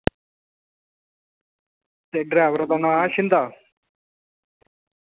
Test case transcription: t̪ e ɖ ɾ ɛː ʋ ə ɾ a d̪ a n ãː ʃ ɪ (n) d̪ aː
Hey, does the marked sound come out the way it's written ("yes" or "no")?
yes